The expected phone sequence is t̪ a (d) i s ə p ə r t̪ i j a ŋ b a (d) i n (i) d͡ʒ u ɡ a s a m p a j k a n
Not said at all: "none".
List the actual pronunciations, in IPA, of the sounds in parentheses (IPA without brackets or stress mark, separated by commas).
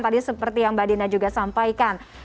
d, d, a